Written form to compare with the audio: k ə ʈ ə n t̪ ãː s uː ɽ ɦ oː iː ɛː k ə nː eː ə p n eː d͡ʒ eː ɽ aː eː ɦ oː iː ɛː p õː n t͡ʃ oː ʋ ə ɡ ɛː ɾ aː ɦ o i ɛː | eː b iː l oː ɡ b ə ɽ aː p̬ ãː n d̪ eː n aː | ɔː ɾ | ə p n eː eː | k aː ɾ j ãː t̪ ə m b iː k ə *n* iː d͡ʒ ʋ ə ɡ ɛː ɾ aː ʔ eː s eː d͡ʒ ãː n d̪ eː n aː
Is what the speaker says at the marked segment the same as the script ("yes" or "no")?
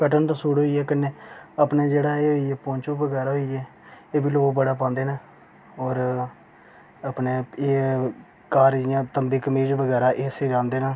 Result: no